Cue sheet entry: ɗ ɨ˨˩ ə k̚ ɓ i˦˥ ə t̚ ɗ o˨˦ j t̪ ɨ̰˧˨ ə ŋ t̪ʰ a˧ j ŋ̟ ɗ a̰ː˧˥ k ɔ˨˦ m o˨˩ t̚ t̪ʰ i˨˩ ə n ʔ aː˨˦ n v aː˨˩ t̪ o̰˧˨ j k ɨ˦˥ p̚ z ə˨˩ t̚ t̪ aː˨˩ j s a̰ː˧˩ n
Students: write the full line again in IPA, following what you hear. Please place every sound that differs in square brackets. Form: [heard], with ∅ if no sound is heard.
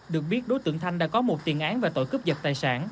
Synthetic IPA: ɗ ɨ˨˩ ə k̚ ɓ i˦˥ ə t̚ ɗ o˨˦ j t̪ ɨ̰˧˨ ə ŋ t̪ʰ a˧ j ŋ̟ ɗ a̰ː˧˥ k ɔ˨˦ m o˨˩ t̚ [t̪] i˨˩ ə n ʔ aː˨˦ n v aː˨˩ t̪ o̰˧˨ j k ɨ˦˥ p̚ z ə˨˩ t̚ t̪ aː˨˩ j s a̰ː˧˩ n

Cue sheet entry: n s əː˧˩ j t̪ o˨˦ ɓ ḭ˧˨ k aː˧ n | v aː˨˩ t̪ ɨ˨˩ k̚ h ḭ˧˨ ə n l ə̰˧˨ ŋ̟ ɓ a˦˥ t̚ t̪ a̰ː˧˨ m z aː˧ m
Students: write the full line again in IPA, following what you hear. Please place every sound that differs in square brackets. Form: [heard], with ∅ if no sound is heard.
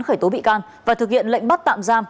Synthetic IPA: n [x] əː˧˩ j t̪ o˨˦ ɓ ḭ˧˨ k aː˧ n | v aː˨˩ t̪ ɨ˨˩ k̚ h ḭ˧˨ ə n l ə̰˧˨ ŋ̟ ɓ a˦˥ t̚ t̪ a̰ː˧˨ m z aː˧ m

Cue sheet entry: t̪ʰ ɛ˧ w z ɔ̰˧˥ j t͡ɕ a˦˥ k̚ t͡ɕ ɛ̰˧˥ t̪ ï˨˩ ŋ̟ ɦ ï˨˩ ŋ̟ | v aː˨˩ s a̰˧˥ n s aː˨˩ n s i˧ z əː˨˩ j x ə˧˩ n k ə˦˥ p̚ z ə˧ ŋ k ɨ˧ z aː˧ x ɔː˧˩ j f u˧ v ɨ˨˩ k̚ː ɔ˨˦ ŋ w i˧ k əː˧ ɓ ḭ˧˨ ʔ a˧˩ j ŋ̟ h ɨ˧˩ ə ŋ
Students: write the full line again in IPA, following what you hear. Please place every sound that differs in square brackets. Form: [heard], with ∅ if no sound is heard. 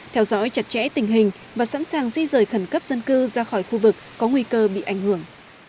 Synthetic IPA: t̪ʰ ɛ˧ w z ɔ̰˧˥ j t͡ɕ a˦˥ [t̚] t͡ɕ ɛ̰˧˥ t̪ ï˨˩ ŋ̟ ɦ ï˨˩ ŋ̟ | v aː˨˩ s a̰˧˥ n s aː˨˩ [ŋ] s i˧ z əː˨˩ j x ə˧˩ n k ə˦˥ p̚ z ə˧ [n] k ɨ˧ z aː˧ x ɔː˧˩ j [x] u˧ v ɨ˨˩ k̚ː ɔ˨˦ ŋ w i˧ k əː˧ ɓ ḭ˧˨ ʔ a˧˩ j ŋ̟ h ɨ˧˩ ə ŋ

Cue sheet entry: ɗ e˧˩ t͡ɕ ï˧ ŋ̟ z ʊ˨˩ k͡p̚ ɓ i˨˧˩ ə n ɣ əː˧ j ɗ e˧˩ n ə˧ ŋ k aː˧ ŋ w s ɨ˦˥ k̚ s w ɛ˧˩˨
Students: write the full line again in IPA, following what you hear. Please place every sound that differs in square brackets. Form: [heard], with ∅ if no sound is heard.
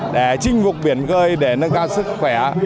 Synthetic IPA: ɗ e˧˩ t͡ɕ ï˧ ŋ̟ [v] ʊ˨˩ k͡p̚ ɓ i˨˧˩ ə n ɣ əː˧ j ɗ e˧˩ n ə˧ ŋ k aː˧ [∅] w s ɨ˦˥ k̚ [x] w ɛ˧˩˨

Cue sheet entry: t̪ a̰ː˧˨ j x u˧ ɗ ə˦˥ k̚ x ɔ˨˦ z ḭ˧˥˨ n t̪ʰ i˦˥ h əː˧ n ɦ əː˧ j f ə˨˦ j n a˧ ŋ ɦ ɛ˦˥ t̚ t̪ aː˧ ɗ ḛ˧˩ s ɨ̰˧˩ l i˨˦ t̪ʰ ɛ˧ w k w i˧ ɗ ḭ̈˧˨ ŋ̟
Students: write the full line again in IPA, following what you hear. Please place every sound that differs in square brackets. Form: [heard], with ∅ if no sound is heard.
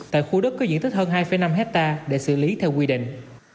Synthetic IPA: t̪ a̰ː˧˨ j x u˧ ɗ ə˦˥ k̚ [k] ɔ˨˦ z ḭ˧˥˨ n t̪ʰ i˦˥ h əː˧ n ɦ [aː˧] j f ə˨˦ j n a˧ [m] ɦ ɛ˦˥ t̚ t̪ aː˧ ɗ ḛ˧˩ s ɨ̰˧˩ l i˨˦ t̪ʰ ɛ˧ w k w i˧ ɗ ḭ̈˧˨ ŋ̟

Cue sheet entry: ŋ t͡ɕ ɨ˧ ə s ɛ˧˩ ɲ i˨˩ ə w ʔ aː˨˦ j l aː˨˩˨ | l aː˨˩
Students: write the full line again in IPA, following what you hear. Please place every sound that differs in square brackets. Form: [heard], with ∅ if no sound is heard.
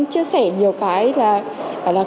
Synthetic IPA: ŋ t͡ɕ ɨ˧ ə s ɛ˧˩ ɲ i˨˩ ə w [k] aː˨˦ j l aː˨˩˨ | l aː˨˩

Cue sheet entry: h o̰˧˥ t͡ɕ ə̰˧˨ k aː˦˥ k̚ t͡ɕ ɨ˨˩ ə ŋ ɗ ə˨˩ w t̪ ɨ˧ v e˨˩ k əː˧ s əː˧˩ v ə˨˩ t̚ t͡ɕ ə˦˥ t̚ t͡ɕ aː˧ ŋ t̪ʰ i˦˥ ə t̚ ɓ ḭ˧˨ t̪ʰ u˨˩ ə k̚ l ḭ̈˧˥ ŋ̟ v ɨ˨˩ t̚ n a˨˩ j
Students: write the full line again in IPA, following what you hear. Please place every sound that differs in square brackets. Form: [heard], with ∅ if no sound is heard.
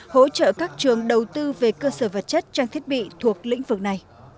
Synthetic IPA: h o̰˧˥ t͡ɕ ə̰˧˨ k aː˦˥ k̚ t͡ɕ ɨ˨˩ ə ŋ ɗ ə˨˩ w t̪ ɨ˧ v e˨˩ k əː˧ s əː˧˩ v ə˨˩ t̚ t͡ɕ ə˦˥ t̚ t͡ɕ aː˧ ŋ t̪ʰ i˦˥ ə t̚ ɓ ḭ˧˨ t̪ʰ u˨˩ ə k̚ l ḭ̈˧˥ ŋ̟ v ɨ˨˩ [k̚] n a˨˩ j

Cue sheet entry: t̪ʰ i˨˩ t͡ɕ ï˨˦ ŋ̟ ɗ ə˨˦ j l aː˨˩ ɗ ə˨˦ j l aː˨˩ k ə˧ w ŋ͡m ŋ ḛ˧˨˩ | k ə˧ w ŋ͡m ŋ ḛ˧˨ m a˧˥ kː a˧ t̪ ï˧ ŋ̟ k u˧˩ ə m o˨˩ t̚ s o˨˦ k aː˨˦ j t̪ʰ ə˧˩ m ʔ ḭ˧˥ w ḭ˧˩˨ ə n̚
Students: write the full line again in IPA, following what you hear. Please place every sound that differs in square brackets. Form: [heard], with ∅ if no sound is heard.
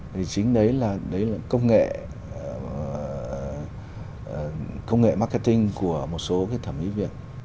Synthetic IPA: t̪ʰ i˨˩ t͡ɕ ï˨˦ ŋ̟ ɗ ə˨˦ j l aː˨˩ ɗ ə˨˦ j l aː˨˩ k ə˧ w ŋ͡m ŋ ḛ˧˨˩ | k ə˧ w ŋ͡m ŋ ḛ˧˨ m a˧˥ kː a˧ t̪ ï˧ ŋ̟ k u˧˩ ə m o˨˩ t̚ s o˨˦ k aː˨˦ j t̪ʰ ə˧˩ m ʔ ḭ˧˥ [v] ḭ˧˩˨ ə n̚

